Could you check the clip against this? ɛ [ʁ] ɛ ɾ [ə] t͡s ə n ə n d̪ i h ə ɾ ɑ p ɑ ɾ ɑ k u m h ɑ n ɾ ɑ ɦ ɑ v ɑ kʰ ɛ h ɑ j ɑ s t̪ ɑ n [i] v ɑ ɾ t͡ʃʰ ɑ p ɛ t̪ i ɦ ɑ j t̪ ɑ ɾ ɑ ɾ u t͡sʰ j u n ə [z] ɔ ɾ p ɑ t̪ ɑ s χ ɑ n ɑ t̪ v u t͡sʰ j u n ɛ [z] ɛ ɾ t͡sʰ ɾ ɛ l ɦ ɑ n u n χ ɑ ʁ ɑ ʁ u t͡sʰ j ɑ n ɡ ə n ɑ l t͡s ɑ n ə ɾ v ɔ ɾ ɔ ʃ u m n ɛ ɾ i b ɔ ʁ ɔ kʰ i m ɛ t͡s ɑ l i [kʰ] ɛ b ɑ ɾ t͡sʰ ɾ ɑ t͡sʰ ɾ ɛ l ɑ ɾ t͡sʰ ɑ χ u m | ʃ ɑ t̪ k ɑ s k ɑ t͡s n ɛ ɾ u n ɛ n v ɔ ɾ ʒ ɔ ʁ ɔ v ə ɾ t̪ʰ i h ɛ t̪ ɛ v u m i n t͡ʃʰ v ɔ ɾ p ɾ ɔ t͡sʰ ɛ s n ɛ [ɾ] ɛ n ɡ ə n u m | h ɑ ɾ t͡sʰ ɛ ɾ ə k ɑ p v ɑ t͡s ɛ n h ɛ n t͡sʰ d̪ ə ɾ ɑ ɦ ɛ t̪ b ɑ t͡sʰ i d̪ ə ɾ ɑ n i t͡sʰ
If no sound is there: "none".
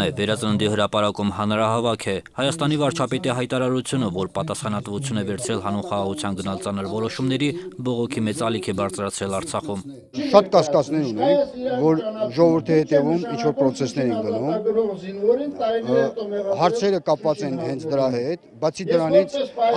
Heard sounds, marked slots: v, ɑ, i, v, v, kʰ, ɾ

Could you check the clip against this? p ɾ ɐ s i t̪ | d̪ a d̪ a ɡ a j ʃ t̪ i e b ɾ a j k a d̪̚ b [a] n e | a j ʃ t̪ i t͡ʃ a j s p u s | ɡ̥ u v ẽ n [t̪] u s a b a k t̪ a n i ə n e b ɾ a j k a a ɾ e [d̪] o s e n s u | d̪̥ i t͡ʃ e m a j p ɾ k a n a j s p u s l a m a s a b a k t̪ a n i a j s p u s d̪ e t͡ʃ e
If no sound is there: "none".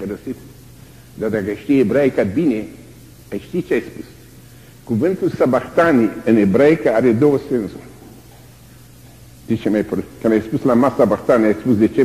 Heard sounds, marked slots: i, t̪, d̪

